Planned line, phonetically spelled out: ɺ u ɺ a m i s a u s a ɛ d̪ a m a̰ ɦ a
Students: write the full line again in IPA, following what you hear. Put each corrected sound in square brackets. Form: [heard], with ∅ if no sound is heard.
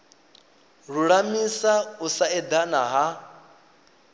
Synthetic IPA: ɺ u ɺ a m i s a u s a ɛ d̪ a [n] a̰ ɦ a